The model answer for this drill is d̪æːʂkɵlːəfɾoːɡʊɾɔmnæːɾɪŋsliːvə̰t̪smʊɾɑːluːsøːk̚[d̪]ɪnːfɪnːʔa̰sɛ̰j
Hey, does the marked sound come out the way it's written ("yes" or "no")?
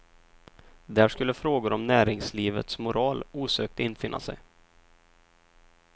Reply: no